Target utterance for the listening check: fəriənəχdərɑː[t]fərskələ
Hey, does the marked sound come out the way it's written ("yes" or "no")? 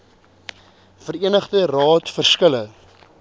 yes